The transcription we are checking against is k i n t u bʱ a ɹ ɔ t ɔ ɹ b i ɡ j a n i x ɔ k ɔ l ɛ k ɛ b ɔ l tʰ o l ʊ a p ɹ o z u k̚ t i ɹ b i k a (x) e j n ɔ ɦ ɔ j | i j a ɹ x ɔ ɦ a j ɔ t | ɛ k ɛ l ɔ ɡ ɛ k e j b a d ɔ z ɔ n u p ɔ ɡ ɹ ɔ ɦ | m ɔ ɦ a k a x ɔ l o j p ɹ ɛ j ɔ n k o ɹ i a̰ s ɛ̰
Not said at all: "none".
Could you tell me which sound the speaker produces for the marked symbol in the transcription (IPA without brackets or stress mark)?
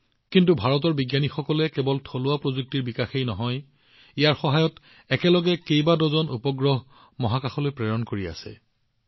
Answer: x